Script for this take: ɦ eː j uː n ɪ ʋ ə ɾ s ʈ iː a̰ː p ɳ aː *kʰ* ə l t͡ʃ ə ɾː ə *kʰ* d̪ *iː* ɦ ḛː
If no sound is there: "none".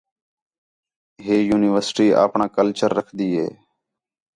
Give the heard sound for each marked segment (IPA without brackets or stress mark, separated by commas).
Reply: k, kʰ, iː